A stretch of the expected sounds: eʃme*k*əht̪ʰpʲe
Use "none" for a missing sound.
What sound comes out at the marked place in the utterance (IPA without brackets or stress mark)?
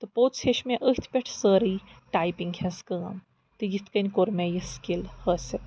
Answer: ʔ